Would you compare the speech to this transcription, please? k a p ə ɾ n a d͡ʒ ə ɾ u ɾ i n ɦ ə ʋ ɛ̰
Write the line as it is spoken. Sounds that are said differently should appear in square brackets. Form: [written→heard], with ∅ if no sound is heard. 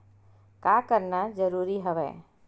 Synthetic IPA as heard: k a [p→k] ə ɾ n a d͡ʒ ə ɾ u ɾ i [n→∅] ɦ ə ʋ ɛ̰